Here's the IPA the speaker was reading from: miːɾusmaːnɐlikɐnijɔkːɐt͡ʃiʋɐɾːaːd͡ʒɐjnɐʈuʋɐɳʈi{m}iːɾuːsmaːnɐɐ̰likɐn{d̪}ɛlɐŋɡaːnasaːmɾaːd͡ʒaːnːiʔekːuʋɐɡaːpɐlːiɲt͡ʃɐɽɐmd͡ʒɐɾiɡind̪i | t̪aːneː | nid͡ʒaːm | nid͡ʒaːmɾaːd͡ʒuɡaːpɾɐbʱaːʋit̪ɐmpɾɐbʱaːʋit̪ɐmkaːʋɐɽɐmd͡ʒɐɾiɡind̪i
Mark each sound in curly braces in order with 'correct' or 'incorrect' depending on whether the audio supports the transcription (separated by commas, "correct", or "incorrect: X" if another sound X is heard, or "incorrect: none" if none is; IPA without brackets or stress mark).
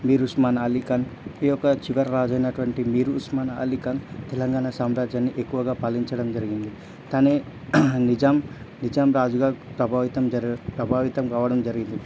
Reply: correct, incorrect: t̪